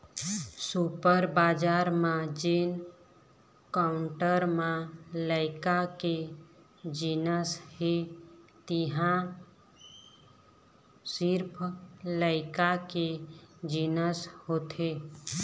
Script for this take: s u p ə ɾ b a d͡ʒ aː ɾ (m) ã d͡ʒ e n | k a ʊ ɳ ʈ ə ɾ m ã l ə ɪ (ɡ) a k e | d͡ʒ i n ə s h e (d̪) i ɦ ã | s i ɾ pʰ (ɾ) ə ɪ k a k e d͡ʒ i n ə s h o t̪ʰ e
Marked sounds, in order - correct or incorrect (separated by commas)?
correct, incorrect, incorrect, incorrect